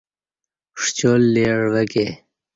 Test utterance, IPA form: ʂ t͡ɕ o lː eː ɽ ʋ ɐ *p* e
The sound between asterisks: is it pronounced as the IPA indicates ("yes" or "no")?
no